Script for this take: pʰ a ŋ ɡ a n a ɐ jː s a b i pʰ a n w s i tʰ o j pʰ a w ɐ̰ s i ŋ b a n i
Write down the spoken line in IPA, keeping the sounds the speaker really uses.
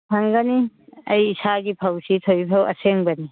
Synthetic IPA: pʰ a ŋ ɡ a n i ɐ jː s a ɡ i pʰ a w s i tʰ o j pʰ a w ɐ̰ s e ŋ b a n i